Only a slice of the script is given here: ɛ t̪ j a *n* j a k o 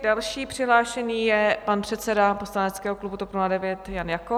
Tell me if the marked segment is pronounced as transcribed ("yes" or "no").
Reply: yes